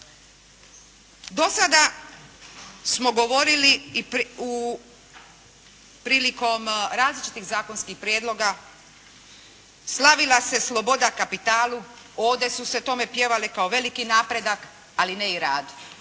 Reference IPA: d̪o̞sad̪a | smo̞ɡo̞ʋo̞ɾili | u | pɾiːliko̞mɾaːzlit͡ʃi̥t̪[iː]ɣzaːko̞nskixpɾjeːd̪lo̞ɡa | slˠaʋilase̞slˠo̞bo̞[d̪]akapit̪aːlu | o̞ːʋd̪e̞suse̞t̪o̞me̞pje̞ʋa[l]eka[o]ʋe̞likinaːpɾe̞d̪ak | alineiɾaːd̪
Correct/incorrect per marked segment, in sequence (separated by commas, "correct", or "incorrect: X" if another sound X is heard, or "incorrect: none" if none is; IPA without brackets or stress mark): incorrect: i, correct, correct, correct